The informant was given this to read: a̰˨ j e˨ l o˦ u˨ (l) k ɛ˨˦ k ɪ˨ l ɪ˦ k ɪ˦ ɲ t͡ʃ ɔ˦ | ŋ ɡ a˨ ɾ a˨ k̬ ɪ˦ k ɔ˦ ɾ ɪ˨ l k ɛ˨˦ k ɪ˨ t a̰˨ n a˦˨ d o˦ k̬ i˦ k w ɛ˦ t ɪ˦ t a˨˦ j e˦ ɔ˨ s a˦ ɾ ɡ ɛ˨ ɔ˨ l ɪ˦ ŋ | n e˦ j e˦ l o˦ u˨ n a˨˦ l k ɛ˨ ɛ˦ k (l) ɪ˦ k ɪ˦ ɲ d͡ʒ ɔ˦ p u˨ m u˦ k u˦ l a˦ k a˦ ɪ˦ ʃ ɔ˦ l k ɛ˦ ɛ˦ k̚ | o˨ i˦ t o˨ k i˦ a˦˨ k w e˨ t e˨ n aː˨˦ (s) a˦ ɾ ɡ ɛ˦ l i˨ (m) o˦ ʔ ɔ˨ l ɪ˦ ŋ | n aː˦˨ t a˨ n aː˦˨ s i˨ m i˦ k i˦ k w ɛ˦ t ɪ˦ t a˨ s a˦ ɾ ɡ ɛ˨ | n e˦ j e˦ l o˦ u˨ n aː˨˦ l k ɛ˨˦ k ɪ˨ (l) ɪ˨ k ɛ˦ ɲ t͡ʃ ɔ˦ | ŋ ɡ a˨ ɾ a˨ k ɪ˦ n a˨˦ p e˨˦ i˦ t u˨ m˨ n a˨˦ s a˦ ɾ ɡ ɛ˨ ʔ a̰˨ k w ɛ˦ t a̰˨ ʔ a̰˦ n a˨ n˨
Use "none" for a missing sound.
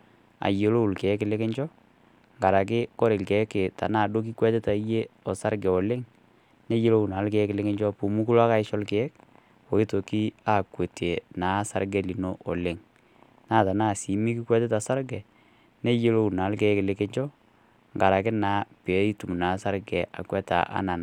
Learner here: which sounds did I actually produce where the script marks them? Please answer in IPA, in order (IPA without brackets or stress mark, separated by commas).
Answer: l, l, s, n, l